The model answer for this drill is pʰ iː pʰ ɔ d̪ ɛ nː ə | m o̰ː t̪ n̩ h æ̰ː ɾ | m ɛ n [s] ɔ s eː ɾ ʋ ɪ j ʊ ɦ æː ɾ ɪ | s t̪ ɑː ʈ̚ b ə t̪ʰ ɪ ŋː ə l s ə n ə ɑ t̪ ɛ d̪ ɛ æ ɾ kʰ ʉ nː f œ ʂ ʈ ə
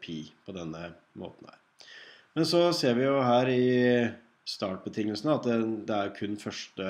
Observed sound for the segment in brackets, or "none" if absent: s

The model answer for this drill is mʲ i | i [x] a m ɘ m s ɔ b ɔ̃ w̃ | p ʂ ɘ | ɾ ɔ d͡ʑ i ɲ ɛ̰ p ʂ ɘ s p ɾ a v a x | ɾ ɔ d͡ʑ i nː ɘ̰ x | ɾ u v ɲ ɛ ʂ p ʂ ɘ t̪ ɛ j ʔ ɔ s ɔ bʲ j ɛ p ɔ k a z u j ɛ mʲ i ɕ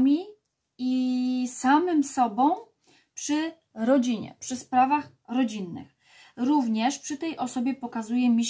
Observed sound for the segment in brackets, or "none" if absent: s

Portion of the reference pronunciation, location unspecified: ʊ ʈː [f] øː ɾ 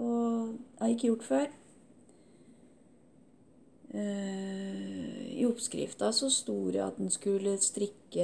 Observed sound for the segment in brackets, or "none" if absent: f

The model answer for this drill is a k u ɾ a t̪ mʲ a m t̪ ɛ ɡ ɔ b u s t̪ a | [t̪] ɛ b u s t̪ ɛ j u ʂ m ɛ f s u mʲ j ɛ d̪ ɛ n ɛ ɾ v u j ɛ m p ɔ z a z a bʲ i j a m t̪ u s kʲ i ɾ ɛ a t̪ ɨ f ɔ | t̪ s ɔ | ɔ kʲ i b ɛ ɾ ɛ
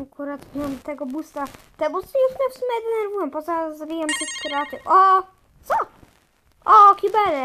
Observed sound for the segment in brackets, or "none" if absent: t̪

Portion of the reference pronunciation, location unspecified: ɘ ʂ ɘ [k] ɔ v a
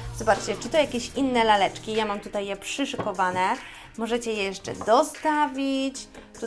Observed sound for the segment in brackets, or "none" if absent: k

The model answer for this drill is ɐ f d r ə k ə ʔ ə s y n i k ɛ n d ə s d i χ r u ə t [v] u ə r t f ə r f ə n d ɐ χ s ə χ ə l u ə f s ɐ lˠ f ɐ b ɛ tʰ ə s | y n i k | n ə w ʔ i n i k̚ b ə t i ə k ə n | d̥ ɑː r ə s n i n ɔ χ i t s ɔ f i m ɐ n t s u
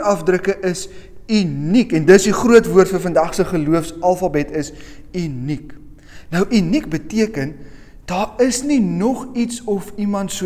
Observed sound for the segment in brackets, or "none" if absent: v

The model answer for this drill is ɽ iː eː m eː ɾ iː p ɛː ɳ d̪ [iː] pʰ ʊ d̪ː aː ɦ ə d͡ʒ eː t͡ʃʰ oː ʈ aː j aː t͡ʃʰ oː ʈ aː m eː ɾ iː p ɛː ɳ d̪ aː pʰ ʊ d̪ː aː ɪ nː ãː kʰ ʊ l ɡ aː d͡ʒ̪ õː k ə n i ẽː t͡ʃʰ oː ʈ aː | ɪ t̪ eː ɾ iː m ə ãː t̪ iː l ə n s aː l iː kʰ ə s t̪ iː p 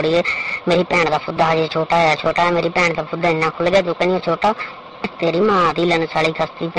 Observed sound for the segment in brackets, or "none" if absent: aː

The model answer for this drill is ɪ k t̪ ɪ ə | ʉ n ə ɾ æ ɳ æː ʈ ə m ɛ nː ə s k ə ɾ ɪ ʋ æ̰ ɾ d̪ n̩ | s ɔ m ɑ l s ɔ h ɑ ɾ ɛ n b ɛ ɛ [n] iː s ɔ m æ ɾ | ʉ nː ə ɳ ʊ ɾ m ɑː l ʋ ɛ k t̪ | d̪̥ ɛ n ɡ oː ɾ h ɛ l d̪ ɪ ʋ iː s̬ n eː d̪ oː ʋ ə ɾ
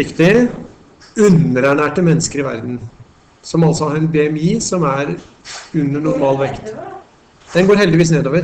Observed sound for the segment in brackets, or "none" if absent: m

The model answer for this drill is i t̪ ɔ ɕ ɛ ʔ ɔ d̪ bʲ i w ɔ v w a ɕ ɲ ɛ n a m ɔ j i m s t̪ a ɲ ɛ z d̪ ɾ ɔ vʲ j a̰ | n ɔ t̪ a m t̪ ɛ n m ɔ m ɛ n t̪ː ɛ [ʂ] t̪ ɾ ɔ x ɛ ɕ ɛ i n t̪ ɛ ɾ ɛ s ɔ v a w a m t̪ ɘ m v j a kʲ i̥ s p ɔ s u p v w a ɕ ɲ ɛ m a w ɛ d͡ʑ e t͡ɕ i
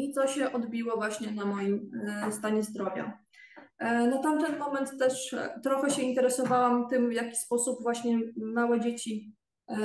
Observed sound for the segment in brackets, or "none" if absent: ʂ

